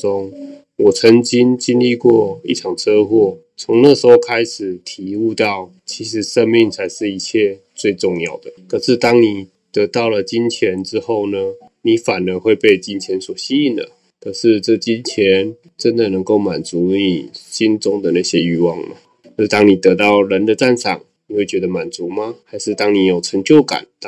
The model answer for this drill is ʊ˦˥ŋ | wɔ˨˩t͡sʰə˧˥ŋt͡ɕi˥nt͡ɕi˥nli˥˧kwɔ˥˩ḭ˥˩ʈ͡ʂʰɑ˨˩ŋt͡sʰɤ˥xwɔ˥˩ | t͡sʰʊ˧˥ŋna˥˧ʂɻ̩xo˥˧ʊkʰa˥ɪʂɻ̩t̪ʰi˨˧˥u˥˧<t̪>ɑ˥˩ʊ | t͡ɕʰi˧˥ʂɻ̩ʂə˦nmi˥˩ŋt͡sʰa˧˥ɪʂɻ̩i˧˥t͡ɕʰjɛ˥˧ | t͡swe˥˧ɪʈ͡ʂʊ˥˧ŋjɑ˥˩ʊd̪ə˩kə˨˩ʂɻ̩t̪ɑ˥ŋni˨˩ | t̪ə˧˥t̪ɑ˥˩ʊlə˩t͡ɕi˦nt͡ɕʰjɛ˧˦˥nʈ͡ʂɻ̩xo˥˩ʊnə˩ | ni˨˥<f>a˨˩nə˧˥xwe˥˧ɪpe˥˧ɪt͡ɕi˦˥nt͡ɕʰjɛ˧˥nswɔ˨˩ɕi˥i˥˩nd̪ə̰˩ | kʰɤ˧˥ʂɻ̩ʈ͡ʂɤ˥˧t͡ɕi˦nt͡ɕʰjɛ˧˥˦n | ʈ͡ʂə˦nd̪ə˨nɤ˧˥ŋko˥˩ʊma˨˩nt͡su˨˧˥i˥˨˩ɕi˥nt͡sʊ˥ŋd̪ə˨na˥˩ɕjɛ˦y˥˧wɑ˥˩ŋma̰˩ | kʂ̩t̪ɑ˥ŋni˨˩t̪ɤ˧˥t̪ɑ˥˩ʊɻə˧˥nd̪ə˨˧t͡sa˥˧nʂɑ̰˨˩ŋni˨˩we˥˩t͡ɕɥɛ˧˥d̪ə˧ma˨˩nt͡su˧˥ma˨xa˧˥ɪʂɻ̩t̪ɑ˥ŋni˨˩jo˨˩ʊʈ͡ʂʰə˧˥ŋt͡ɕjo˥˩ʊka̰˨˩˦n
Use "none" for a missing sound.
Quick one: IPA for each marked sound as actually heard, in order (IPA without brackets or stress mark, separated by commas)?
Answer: t̪, f